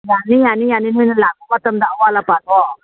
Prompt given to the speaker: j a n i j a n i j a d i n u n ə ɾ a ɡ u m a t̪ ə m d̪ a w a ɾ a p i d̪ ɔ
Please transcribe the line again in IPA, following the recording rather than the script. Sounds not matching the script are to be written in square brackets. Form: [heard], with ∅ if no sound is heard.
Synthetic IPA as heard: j a n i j a n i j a [n] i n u n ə [l] a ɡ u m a t̪ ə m d̪ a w a [l] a p [a] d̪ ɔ